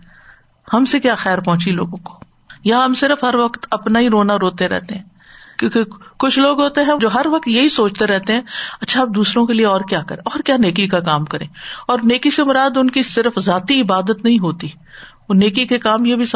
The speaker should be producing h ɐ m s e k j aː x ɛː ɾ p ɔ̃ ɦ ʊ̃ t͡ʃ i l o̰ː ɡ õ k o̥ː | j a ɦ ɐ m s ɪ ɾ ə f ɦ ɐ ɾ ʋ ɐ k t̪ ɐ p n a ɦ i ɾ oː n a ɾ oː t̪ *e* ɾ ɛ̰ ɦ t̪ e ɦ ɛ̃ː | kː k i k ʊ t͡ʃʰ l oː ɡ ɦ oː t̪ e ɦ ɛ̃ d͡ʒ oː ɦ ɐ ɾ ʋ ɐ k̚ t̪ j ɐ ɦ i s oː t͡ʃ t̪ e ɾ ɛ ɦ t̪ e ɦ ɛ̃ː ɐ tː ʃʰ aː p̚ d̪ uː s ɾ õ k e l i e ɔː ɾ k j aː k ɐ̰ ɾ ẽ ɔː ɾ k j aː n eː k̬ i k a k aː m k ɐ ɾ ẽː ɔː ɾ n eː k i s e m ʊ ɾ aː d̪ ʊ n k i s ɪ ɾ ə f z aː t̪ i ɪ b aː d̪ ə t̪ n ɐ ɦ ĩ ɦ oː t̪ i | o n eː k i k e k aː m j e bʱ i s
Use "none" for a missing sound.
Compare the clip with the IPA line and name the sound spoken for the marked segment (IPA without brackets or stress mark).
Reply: e